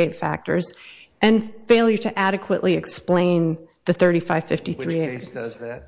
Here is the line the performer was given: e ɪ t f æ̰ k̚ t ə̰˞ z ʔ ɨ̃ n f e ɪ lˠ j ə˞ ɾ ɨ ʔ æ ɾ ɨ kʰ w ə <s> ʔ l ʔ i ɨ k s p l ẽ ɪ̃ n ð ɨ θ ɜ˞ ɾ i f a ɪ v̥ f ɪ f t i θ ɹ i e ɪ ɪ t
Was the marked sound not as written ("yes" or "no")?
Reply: yes